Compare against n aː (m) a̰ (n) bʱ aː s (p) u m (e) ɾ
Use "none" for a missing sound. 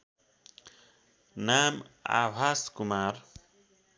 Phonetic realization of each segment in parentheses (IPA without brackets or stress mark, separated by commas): m, none, k, a